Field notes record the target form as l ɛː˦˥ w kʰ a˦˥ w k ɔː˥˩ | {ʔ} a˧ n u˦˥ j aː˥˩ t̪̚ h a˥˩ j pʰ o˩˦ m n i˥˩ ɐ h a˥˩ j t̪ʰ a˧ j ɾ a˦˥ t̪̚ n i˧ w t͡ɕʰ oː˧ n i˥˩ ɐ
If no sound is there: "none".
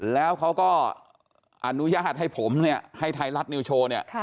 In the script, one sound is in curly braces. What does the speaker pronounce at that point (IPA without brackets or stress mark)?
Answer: ʔ